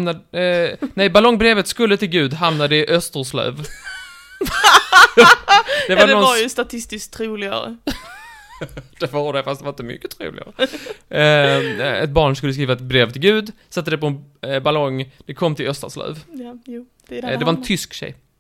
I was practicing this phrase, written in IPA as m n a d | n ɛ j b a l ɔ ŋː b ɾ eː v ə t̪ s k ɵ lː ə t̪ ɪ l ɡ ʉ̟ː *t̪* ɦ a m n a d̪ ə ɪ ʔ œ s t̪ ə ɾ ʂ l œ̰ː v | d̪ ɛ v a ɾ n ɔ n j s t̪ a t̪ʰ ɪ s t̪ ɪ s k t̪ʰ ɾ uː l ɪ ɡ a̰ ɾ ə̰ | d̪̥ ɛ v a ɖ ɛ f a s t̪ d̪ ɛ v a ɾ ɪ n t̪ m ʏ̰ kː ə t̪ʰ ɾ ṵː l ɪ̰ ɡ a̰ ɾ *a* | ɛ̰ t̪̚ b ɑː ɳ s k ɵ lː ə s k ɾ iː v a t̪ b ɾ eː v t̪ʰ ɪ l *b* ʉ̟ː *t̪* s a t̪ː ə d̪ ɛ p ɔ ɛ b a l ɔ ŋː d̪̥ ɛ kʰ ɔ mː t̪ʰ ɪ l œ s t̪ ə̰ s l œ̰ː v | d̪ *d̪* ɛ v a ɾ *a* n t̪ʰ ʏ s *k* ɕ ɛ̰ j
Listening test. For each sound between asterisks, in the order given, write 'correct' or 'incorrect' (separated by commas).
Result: incorrect, incorrect, incorrect, incorrect, correct, incorrect, correct